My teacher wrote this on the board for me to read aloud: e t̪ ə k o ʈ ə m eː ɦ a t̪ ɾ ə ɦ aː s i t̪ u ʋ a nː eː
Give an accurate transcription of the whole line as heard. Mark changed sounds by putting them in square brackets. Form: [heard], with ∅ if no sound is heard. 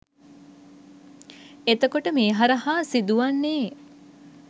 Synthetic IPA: e t̪ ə k o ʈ ə m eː ɦ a [∅] ɾ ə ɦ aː s i [d̪] u ʋ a nː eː